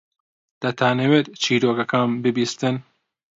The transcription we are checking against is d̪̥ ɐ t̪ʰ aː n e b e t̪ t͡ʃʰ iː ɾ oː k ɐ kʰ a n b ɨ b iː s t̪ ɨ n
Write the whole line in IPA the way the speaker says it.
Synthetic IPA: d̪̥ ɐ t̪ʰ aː n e w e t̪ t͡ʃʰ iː ɾ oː k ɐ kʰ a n b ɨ b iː s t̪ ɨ n